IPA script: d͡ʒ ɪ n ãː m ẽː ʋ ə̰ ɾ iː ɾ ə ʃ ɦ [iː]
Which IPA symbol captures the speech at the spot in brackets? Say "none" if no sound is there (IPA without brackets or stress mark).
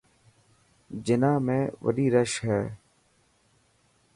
ɛː